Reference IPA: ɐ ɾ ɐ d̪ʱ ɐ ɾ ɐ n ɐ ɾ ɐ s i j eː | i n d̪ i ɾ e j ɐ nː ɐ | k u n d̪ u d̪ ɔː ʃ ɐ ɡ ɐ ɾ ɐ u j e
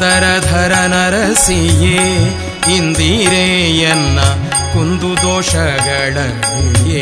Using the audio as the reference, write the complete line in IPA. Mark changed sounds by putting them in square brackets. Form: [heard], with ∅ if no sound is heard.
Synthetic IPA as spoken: ɐ ɾ ɐ d̪ʱ ɐ ɾ ɐ n ɐ ɾ ɐ s i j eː | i n d̪ i ɾ e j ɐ nː ɐ | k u n d̪ u d̪ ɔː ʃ ɐ ɡ ɐ [ɭ] ɐ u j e